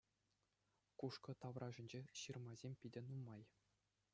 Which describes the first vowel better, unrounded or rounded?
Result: rounded